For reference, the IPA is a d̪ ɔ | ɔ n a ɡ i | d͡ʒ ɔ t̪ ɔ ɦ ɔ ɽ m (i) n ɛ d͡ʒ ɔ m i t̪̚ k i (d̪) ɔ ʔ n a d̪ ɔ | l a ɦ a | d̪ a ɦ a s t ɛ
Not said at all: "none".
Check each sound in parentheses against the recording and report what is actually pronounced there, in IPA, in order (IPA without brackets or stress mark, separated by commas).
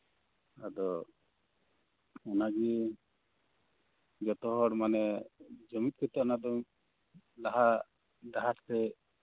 a, t̪